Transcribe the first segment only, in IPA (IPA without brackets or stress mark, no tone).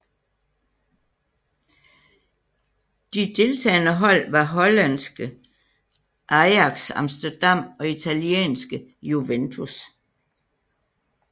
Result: d̥